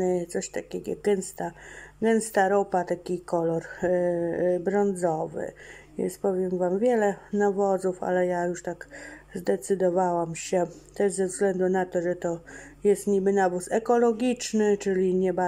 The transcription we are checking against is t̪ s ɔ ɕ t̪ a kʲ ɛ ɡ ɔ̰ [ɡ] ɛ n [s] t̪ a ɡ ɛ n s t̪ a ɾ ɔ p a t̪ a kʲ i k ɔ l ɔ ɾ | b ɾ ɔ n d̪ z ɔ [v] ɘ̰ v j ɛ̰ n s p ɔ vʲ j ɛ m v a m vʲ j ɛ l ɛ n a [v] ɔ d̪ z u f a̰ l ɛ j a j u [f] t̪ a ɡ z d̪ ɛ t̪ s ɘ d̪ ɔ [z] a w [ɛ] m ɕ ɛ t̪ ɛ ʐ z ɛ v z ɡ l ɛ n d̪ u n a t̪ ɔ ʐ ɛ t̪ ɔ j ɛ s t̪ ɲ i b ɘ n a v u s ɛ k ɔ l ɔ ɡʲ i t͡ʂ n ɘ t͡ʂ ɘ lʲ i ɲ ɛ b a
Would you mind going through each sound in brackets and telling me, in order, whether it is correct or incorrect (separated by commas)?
correct, correct, correct, correct, incorrect, incorrect, incorrect